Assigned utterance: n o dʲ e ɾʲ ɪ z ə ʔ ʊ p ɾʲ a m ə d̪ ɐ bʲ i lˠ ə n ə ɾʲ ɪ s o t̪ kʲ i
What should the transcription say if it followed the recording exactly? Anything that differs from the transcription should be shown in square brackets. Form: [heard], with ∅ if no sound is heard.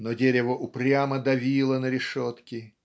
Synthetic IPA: n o dʲ e ɾʲ ɪ [v] ə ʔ ʊ p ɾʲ a m ə d̪ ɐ [vʲ] i lˠ ə n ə ɾʲ ɪ [ʂ] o t̪ kʲ [ɪ]